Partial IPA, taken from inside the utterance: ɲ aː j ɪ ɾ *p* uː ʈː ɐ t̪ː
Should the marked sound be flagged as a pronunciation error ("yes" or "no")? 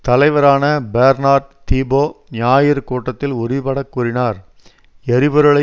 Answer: yes